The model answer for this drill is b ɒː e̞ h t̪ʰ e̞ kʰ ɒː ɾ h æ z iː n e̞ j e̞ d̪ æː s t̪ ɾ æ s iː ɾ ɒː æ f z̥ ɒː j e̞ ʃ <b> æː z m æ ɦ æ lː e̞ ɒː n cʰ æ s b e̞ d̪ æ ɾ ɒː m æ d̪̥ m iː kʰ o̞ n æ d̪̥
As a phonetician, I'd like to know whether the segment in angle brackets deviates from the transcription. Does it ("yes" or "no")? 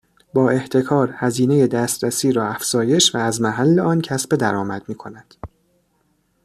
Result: yes